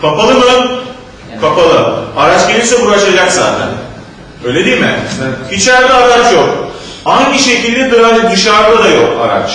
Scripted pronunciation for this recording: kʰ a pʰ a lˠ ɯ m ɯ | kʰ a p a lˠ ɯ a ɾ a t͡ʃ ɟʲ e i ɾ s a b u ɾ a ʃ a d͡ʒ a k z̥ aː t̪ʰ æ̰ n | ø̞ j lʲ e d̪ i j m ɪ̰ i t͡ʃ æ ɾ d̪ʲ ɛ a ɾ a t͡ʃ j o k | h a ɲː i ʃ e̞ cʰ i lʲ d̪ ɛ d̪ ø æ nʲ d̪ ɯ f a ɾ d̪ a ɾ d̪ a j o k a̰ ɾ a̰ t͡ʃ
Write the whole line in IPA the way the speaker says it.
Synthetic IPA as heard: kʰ a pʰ a lˠ ɯ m ɯ | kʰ a p a lˠ ɯ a ɾ a t͡ʃ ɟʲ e i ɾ s ɛ b u ɾ a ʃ a d͡ʒ a k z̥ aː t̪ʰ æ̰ n | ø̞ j lʲ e d̪ i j m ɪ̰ i t͡ʃ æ ɾ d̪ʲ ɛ a ɾ a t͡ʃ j o k | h a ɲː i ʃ e̞ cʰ i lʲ d̪ ɛ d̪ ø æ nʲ d̪ ɯ ʃ a ɾ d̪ a d̪ a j o k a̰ ɾ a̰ t͡ʃ